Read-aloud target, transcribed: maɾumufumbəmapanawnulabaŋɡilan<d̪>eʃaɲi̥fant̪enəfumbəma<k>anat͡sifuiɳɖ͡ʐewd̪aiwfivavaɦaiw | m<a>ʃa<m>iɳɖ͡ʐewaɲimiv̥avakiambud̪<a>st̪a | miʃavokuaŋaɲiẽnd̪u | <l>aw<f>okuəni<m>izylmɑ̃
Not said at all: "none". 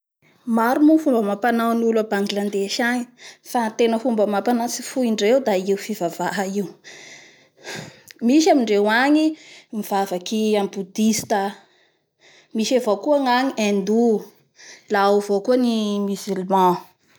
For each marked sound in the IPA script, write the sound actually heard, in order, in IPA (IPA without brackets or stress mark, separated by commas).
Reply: d̪, p, i, m, i, l, v, m